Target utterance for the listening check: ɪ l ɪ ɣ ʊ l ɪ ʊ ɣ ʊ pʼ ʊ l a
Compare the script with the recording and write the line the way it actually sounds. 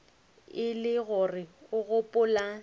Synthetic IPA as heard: ɪ l ɪ ɣ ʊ r ɪ ʊ ɣ ʊ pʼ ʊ l a